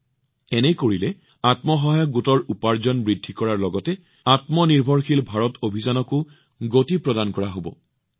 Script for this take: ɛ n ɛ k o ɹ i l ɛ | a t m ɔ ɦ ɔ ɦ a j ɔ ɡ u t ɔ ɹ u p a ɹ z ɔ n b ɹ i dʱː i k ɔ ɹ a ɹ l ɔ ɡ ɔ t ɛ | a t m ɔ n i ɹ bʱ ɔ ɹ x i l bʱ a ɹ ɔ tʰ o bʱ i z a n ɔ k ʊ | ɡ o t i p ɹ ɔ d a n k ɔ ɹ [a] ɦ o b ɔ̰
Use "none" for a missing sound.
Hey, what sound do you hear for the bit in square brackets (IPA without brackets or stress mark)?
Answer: a